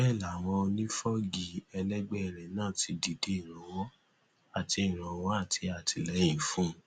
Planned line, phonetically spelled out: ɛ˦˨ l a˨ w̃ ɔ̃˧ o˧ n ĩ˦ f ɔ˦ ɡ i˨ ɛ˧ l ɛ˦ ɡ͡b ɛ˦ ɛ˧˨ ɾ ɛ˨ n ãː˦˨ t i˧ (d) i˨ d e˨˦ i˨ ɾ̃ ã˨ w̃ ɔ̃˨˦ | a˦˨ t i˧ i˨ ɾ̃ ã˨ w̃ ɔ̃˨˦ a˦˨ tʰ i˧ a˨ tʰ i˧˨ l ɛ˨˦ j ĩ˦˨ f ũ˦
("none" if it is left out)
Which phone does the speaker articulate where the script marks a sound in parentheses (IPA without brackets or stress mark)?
d